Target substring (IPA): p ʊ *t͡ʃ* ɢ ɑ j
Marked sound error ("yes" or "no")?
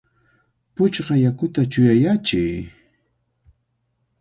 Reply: no